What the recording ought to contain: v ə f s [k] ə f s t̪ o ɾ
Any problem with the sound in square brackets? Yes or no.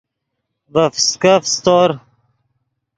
no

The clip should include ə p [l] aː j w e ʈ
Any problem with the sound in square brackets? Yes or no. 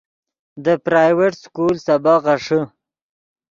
yes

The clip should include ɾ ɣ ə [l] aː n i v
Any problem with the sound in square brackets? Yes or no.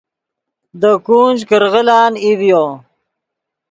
no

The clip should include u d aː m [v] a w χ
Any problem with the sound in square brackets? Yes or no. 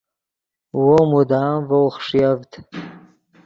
no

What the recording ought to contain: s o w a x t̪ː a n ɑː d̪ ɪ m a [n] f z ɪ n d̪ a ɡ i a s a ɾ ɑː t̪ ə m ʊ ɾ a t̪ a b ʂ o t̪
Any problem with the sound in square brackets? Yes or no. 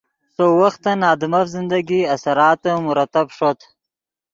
yes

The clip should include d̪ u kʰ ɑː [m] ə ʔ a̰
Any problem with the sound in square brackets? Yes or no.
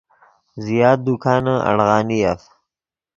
yes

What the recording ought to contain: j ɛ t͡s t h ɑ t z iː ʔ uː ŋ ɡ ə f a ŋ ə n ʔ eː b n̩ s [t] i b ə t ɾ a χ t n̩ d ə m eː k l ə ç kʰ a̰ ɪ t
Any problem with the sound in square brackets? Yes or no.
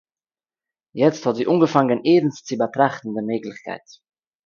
yes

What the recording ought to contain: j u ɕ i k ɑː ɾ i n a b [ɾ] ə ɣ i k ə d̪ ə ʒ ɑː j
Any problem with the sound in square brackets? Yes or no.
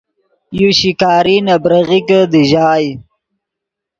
no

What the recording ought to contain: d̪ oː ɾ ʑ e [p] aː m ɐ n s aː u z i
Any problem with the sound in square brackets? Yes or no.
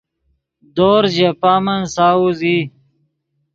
no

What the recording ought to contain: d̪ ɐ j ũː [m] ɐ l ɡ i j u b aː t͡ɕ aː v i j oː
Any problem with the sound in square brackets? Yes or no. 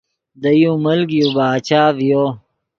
no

